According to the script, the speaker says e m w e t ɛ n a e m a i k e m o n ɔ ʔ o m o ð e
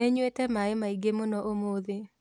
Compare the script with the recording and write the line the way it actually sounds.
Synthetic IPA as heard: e ɲ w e t ɛ m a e m a i ɡ e m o n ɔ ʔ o m o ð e